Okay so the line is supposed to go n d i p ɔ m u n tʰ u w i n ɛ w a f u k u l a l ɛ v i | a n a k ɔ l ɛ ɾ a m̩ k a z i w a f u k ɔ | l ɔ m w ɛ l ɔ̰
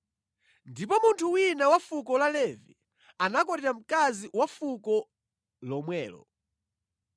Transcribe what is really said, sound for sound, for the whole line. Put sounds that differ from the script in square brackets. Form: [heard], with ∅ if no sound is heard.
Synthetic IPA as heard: n d i p ɔ m u n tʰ u w i n [a] w a f u k [ɔ] l a l ɛ v i | a n a k ɔ [ɾ] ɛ ɾ a m̩ k a z i w a f u k ɔ | l ɔ m w [ɛː] l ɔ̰